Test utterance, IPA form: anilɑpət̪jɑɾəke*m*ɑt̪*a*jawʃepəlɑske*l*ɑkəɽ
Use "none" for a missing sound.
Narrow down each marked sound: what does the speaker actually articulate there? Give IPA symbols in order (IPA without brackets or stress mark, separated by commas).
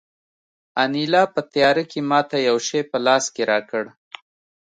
m, a, ɾ